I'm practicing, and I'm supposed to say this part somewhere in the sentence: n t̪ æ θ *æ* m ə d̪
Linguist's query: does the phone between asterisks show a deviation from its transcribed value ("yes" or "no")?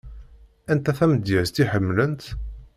no